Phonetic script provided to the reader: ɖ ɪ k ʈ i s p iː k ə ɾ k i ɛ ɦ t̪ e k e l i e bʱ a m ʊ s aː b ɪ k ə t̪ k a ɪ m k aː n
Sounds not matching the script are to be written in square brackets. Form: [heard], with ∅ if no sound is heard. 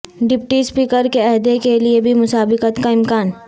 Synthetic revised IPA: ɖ ɪ [p] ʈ i s p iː k ə ɾ k [e] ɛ ɦ [d̪] e k e l i e bʱ [i] m ʊ s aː b ɪ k ə t̪ k a ɪ m k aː n